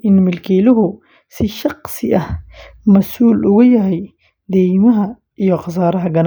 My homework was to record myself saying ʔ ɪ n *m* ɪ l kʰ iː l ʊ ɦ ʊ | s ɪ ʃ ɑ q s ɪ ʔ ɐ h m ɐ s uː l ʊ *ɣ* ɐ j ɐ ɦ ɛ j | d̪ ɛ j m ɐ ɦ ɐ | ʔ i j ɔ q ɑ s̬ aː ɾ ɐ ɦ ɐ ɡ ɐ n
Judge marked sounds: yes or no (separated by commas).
yes, yes